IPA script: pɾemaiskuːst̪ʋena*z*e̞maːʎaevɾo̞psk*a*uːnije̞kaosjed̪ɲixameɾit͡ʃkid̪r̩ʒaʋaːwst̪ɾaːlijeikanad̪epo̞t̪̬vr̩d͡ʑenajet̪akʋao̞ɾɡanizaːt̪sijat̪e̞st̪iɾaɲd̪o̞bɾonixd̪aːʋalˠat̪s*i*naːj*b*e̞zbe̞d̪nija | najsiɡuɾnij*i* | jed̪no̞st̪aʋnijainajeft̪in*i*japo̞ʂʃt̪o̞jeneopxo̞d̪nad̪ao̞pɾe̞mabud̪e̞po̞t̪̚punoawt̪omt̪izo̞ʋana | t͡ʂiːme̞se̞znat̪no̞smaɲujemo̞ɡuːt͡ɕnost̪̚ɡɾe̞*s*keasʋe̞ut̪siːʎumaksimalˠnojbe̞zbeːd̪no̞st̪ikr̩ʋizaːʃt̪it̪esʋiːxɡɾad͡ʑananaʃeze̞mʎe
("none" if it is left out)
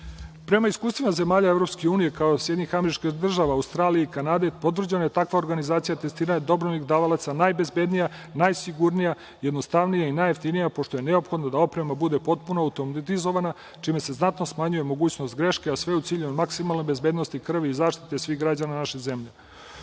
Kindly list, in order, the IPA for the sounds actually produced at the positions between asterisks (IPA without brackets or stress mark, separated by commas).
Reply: z, e, a, b, a, i, ʃ